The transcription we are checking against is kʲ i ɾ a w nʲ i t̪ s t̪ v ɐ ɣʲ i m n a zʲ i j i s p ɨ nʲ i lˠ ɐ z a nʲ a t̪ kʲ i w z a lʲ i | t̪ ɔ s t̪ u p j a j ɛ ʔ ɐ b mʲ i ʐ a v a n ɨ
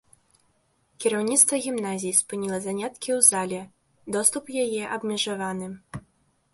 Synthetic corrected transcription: kʲ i ɾ a w nʲ i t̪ s t̪ v ɐ ɣʲ i m n a zʲ i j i s p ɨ nʲ i lˠ ɐ z a nʲ a t̪ kʲ i w z a lʲ ɛ | d̪ ɔ s t̪ u p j a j ɛ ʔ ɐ b mʲ ɛ ʐ a v a n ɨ